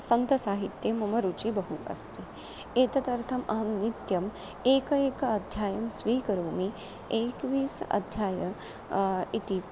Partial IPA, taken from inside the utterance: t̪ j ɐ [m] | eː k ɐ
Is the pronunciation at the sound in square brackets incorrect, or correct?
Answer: correct